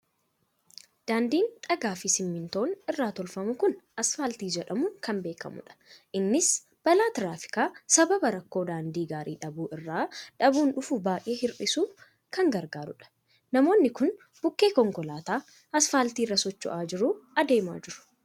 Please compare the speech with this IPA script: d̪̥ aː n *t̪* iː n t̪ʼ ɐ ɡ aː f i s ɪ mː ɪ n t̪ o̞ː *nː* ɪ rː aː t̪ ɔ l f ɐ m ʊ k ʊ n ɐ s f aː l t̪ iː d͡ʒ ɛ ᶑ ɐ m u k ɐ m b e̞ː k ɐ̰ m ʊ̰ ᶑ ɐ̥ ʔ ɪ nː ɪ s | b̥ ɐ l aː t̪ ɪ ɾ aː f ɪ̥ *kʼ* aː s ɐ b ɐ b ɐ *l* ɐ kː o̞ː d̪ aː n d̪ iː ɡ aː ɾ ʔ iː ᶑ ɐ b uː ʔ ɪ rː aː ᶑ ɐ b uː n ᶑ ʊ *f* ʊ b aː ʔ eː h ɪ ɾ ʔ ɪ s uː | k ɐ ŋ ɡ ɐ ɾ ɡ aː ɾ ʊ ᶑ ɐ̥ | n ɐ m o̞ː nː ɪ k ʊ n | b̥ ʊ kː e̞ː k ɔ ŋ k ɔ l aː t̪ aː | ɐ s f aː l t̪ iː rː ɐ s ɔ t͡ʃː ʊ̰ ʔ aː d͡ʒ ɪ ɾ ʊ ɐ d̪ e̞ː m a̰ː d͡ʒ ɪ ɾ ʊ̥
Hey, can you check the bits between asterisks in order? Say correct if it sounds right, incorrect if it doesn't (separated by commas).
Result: incorrect, incorrect, incorrect, incorrect, correct